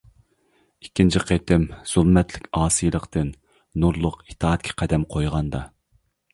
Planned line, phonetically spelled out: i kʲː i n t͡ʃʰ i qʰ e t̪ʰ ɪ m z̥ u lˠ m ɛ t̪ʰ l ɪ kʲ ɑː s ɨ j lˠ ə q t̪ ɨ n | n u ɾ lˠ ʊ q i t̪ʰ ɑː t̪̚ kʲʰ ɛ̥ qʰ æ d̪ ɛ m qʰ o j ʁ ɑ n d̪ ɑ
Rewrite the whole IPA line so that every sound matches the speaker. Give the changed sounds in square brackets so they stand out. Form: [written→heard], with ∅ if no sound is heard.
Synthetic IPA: i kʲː i n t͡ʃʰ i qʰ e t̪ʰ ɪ m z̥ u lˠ m ɛ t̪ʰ l ɪ kʲ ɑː s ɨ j lˠ ə q t̪ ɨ n | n u ɾ lˠ ʊ q i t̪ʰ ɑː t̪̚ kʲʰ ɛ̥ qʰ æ d̪ ɛ m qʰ o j ʁ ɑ n d̪ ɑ